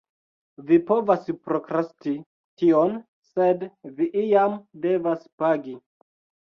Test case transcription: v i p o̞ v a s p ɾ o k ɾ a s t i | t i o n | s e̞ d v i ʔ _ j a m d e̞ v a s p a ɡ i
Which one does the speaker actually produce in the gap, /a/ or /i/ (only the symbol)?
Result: i